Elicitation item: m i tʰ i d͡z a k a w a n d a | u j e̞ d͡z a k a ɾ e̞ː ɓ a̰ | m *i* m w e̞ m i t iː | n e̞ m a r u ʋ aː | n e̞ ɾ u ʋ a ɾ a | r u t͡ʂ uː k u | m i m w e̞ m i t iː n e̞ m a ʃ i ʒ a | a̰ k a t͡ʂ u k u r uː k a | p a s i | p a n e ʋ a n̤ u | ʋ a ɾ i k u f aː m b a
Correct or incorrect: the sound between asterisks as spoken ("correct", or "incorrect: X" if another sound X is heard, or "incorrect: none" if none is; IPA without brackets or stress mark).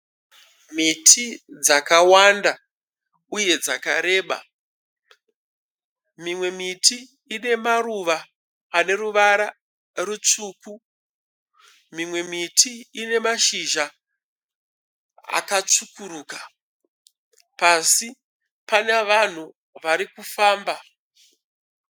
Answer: correct